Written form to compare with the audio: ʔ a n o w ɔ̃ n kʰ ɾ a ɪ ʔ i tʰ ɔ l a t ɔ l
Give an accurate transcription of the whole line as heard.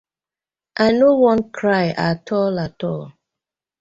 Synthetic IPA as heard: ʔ a n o w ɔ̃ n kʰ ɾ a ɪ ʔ a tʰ ɔ l a t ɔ l